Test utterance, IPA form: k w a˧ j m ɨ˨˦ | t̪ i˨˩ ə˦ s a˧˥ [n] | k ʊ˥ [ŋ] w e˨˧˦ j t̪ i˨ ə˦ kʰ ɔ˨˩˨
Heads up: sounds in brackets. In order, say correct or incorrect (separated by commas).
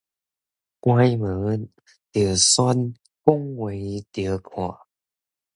correct, correct